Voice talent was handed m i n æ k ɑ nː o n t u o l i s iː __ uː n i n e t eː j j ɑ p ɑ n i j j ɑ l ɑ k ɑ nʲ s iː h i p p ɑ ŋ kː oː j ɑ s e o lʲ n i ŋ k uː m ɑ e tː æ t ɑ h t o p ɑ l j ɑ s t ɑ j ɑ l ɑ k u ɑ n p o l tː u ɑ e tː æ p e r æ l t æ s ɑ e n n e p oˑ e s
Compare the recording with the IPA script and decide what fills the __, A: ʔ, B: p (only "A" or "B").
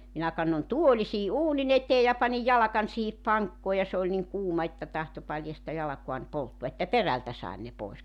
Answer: A